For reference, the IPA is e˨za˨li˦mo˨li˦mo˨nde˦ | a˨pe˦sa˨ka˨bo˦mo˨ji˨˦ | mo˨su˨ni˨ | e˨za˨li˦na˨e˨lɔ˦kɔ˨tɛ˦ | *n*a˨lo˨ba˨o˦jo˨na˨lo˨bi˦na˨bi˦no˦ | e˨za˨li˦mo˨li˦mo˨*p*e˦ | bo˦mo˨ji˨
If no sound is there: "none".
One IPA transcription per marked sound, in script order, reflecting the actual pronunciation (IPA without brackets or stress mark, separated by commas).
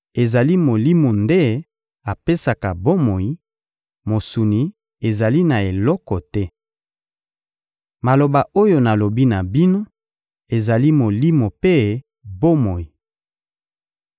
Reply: m, p